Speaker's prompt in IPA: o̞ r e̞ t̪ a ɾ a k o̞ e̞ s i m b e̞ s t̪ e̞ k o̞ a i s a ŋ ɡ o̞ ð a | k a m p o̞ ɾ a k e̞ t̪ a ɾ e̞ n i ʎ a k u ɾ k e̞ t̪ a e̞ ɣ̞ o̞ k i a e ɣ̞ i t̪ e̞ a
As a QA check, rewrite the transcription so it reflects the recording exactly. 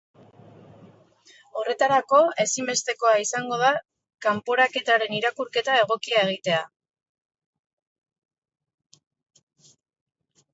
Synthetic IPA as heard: o̞ r e̞ t̪ a ɾ a k o̞ e̞ s i m b e̞ s t̪ e̞ k o̞ a i s a ŋ ɡ o̞ ð a | k a m p o̞ ɾ a k e̞ t̪ a ɾ e̞ n i ɾ a k u ɾ k e̞ t̪ a e̞ ɣ̞ o̞ k i a e ɣ̞ i t̪ e̞ a